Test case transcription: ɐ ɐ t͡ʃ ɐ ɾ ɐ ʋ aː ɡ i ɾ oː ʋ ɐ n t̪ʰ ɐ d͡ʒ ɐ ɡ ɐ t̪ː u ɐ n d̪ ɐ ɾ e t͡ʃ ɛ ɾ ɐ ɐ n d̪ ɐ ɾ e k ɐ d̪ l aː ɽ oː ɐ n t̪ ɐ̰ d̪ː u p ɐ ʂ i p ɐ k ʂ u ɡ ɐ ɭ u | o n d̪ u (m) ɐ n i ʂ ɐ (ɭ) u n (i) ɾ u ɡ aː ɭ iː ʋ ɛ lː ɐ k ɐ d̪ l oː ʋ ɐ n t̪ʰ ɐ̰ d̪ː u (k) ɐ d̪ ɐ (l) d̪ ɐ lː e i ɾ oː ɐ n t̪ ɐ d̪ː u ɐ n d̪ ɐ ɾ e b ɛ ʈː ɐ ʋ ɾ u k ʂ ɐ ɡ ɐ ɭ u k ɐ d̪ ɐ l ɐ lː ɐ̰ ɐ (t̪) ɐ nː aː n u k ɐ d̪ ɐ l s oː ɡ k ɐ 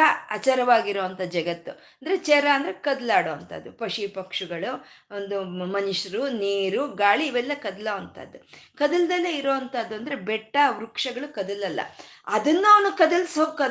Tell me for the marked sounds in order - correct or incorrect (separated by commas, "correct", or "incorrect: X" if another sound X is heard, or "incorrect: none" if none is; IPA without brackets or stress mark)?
correct, incorrect: ɾ, incorrect: iː, correct, correct, incorrect: d̪